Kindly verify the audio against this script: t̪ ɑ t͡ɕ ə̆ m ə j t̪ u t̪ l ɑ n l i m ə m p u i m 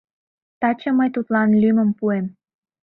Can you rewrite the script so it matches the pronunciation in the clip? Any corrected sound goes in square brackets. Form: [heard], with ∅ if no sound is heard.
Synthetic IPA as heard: t̪ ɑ t͡ɕ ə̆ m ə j t̪ u t̪ l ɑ n l [y] m ə m p u [e] m